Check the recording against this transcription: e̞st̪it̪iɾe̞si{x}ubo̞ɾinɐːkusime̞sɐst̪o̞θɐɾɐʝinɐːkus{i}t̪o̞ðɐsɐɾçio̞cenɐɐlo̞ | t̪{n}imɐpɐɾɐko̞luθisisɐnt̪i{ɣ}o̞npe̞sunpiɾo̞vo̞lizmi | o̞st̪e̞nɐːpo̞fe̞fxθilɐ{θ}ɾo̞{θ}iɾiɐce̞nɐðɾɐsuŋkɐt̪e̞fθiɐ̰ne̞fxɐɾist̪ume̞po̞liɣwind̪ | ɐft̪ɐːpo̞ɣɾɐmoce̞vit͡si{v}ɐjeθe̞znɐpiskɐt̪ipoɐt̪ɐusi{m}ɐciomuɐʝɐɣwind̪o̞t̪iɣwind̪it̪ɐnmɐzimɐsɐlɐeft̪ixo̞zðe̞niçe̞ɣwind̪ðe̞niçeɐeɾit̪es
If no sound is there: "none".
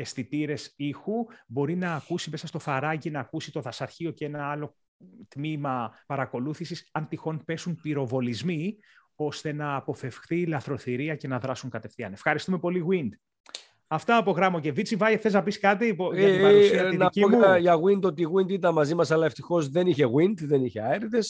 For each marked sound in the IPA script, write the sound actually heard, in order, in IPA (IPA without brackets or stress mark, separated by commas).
x, i, m, x, θ, θ, v, n